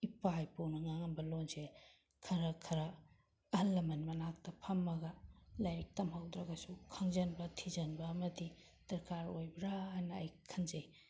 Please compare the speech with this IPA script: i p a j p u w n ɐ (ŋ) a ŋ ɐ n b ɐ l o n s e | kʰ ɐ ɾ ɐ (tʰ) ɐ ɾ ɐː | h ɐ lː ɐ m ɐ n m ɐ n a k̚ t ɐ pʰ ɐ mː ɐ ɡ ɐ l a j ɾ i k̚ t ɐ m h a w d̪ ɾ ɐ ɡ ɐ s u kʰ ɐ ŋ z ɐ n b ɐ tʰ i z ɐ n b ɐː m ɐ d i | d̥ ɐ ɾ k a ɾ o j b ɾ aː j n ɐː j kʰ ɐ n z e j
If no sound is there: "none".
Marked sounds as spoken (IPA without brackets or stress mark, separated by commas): ŋ, kʰ